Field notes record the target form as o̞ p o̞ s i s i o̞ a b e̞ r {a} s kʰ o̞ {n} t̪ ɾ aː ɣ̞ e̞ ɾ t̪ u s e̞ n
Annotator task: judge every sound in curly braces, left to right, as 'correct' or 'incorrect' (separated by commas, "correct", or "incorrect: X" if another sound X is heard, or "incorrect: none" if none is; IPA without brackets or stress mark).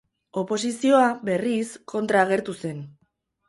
incorrect: i, correct